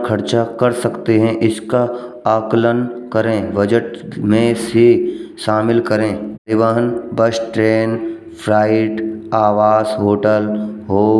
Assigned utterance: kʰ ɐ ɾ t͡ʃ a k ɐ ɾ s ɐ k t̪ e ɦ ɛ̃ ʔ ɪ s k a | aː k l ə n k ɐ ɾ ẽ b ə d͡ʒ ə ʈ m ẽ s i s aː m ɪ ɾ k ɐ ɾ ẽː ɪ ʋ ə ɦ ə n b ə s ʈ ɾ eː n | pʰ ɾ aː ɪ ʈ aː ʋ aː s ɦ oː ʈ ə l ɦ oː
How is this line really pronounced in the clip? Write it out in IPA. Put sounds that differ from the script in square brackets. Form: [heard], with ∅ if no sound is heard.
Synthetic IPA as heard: kʰ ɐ ɾ t͡ʃ a k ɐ ɾ s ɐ k t̪ e ɦ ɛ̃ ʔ ɪ s k a | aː k l ə n k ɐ ɾ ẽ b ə d͡ʒ ə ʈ m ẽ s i [ʃ] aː m ɪ [l] k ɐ ɾ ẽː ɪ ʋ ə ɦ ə n b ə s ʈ ɾ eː n | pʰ ɾ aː ɪ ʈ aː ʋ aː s ɦ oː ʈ ə l ɦ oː